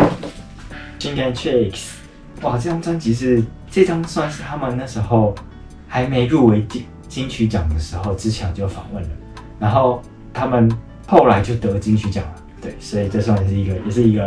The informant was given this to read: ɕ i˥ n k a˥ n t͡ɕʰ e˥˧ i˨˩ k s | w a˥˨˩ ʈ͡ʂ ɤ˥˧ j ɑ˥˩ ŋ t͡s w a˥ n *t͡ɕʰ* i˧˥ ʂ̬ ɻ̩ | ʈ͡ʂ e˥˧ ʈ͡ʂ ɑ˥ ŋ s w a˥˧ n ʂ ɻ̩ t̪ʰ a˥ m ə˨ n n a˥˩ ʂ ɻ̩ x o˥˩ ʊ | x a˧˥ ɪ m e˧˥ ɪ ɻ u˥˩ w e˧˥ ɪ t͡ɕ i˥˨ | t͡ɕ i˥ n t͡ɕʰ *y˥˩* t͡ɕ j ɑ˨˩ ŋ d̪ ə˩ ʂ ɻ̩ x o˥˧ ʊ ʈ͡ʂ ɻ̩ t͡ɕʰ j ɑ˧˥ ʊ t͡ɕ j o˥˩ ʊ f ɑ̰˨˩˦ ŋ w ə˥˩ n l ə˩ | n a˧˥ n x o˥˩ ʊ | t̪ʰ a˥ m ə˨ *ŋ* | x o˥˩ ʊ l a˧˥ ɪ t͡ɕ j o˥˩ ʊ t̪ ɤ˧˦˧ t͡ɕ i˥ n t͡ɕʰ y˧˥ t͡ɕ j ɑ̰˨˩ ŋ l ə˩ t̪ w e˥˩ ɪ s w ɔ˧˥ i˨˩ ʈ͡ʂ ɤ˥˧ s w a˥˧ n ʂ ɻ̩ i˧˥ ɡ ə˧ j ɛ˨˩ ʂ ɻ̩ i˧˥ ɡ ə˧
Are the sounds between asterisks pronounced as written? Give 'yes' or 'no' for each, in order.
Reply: no, no, no

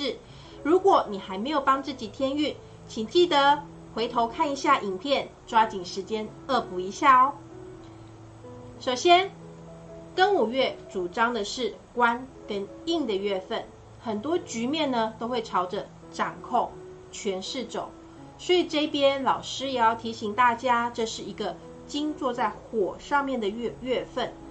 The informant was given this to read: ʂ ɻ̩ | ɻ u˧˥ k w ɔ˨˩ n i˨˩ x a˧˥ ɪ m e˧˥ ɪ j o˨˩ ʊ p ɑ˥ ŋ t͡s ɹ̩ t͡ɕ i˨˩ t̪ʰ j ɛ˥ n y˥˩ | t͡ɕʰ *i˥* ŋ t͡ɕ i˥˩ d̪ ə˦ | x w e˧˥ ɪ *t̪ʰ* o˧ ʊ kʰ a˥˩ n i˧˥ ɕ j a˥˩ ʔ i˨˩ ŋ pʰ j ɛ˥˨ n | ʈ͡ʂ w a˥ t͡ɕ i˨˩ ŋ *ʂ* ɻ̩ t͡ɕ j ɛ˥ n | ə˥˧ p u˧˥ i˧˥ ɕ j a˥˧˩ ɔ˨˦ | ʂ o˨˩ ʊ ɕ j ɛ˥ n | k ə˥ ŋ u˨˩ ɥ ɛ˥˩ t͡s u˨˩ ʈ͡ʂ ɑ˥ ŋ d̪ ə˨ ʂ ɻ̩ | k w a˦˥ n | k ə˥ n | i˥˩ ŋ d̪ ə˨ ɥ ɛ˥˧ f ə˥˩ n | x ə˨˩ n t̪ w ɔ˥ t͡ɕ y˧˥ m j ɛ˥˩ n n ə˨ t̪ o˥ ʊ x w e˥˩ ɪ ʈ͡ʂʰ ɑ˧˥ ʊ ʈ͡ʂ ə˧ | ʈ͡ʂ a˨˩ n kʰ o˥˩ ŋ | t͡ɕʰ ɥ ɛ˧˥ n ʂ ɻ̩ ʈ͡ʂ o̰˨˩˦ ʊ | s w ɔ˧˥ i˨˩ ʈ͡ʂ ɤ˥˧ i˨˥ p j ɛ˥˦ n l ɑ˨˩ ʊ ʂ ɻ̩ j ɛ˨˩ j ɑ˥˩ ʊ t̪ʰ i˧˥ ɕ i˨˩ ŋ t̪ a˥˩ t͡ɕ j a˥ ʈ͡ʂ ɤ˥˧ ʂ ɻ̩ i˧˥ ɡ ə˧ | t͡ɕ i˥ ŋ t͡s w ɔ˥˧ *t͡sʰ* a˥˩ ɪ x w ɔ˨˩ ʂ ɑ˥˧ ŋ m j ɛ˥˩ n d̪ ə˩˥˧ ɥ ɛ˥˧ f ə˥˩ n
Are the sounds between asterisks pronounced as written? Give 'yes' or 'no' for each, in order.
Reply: no, yes, yes, no

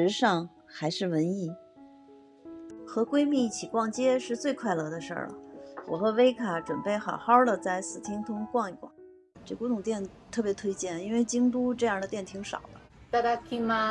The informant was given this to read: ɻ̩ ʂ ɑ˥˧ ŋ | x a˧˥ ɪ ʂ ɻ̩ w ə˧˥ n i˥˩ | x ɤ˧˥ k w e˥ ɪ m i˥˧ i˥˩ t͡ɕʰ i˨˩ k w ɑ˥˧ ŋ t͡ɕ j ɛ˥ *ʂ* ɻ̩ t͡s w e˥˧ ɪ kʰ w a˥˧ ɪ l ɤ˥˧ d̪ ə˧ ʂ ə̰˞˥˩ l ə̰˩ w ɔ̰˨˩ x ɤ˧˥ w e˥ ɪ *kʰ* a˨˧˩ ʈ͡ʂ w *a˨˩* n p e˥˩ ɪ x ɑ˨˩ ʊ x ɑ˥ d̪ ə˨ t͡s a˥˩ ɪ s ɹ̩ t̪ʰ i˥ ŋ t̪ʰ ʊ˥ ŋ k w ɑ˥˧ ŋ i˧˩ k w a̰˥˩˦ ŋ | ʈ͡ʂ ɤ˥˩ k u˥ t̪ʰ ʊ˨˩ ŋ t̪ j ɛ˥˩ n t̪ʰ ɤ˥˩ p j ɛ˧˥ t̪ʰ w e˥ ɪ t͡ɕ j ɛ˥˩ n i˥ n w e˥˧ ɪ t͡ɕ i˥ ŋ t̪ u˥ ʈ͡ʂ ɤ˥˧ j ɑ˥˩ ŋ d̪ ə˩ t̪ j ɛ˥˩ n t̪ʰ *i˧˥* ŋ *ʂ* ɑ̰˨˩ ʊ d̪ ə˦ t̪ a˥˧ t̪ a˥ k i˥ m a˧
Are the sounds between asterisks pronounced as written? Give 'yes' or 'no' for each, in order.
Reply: yes, yes, no, yes, yes

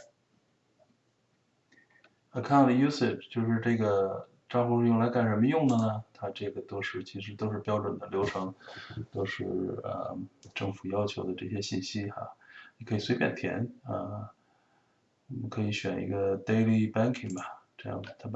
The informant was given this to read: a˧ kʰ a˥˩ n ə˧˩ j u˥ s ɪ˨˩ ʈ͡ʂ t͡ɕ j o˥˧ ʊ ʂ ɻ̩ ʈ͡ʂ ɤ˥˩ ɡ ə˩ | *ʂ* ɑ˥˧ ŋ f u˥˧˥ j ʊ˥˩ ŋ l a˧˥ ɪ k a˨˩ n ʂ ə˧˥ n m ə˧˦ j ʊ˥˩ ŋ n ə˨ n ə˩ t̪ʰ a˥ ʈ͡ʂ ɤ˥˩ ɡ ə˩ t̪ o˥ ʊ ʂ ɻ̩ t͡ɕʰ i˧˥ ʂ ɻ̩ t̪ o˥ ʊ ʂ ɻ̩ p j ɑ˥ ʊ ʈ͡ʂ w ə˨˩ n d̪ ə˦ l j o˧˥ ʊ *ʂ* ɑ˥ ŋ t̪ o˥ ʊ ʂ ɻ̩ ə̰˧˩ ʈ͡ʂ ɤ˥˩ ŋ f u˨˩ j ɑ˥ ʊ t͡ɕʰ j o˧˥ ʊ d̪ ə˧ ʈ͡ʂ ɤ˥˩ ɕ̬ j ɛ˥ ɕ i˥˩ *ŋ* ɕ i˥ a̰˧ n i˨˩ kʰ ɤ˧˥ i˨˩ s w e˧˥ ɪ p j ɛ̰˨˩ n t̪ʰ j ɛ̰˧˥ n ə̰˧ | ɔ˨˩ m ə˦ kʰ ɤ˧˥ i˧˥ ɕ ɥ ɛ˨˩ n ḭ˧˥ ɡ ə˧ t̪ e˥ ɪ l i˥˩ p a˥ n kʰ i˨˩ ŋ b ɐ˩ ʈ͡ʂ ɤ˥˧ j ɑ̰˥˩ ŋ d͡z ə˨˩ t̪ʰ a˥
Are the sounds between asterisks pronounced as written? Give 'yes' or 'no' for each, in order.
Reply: no, yes, no

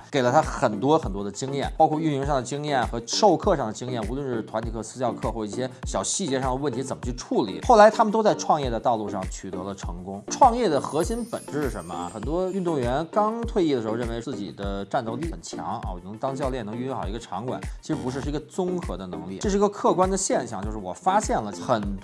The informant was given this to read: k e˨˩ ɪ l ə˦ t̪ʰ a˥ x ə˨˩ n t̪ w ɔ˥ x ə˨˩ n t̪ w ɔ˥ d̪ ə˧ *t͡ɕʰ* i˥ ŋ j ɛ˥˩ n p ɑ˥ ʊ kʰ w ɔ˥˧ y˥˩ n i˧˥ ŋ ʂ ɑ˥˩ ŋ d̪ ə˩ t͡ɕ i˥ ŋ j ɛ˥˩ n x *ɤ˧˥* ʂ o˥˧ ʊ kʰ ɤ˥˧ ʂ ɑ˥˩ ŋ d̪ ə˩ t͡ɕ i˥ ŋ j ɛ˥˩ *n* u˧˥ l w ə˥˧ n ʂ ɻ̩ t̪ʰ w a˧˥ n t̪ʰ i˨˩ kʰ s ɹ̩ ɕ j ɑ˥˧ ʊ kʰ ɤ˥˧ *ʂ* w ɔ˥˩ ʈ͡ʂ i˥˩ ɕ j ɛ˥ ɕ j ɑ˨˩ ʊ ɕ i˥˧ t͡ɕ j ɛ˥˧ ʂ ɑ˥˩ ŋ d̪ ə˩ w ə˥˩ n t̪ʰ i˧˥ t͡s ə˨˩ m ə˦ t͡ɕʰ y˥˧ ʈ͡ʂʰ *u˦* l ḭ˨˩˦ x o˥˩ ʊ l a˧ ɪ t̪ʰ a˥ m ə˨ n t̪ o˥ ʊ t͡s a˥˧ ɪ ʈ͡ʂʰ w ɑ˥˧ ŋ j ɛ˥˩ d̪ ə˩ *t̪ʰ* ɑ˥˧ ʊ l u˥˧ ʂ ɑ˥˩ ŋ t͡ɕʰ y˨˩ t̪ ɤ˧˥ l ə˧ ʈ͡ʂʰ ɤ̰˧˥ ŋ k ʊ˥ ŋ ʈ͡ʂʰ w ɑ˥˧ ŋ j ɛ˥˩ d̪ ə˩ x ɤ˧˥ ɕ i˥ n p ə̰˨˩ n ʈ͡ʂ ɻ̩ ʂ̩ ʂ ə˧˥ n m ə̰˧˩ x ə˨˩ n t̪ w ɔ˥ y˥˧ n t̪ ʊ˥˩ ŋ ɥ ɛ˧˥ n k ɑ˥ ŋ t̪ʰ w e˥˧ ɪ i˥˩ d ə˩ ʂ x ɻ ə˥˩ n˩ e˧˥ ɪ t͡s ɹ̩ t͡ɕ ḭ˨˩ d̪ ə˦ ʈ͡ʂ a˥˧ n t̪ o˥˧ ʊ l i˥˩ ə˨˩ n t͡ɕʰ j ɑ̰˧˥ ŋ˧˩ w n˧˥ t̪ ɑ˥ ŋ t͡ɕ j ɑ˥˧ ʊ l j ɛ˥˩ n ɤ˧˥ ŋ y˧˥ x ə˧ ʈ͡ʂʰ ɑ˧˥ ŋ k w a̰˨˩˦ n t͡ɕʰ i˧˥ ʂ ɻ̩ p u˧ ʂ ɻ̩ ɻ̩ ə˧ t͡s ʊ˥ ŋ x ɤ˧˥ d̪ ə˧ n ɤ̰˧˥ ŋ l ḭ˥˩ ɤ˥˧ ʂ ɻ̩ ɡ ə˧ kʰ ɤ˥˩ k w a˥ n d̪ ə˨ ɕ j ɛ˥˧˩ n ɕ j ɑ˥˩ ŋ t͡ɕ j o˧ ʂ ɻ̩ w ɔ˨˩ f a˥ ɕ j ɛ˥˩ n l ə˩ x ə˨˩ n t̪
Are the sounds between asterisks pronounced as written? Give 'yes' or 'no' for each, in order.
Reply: no, yes, yes, no, no, no

